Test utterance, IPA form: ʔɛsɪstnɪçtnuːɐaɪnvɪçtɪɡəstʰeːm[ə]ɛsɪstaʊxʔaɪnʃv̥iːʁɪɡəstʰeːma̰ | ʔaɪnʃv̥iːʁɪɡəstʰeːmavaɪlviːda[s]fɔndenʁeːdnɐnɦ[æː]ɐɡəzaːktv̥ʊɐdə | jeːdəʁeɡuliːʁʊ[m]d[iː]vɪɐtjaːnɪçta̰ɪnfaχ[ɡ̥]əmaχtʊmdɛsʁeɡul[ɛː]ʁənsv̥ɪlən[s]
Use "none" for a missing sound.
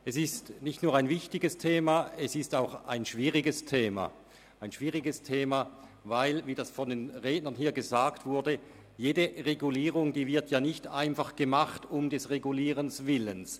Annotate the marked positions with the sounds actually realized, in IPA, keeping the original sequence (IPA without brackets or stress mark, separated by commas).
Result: a, s, iː, ŋ, iː, ɡ̥, iː, s